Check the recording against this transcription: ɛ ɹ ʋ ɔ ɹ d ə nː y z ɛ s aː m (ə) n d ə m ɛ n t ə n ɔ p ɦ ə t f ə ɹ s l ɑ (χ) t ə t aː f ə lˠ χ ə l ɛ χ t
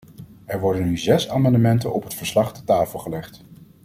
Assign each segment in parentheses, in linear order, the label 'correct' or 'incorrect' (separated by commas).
incorrect, correct